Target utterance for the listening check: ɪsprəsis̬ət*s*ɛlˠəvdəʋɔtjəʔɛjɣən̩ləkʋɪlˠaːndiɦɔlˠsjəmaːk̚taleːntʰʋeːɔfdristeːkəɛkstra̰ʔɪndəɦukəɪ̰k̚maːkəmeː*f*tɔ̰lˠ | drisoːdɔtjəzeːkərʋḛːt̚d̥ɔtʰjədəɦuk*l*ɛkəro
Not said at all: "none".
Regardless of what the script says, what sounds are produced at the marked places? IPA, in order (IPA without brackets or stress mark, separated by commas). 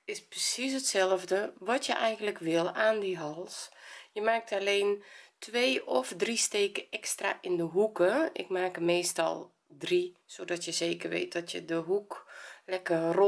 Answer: s, s, l